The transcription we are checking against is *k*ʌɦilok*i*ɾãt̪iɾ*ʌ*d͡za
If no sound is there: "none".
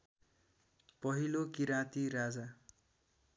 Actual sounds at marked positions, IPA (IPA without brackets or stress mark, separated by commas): p, i, a